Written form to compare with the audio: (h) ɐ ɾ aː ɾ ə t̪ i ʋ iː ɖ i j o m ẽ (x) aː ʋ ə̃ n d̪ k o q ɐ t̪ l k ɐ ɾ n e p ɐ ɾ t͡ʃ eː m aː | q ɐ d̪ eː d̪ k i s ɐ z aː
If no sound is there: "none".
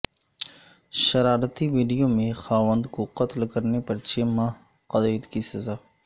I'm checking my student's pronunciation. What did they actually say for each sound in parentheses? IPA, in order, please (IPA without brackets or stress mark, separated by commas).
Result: ʃ, x